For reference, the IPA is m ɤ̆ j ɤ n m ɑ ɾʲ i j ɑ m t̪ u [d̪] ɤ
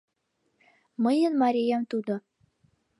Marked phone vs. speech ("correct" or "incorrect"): correct